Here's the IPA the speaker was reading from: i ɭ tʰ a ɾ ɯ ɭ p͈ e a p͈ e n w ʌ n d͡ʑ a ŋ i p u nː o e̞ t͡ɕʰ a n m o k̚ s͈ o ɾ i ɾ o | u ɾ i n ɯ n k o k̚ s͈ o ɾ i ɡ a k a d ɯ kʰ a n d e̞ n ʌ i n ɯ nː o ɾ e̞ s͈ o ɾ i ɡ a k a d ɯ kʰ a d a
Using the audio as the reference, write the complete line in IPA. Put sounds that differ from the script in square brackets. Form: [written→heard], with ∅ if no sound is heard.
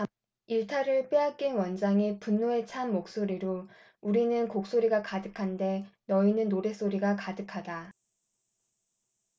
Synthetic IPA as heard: i ɭ tʰ a ɾ ɯ ɭ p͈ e a [p͈→k͈] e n w ʌ n d͡ʑ a ŋ i p u nː o e̞ t͡ɕʰ a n m o k̚ s͈ o ɾ i ɾ o | u ɾ i n ɯ n k o k̚ s͈ o ɾ i ɡ a k a d ɯ kʰ a n d e̞ n ʌ i n ɯ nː o ɾ e̞ s͈ o ɾ i ɡ a k a d ɯ kʰ a d a